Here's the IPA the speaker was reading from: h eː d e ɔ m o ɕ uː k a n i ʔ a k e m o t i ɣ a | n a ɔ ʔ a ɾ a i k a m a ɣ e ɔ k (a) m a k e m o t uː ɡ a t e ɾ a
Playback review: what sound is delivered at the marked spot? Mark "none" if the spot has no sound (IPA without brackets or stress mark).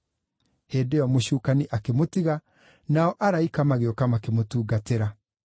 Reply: a